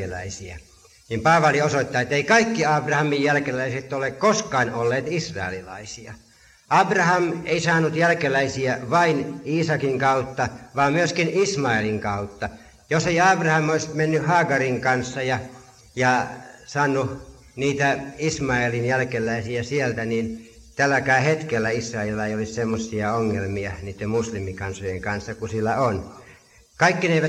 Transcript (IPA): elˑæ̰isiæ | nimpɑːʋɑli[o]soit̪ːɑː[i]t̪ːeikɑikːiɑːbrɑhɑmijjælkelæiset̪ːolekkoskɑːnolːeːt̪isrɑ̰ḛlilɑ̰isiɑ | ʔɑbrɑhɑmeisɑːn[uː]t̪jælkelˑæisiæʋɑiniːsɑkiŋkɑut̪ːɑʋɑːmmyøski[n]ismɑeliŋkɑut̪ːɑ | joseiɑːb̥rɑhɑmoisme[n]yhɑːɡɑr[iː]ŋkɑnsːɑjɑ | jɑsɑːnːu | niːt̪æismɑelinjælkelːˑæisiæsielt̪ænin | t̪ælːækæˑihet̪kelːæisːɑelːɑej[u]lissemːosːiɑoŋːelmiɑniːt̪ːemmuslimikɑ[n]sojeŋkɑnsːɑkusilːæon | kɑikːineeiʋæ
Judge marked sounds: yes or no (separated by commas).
yes, no, no, yes, no, no, no, yes